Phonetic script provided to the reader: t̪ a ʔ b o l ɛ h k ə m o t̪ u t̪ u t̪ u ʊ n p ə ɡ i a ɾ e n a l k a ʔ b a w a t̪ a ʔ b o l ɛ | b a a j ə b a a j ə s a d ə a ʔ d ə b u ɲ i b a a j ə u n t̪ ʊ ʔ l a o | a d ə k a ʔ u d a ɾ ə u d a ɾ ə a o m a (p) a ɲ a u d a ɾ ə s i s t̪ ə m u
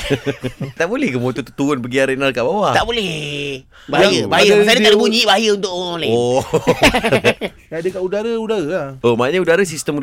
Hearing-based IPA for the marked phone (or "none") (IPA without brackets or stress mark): none